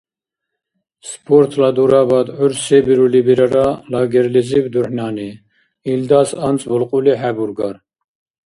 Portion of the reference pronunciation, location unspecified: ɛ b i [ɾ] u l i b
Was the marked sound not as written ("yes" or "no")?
no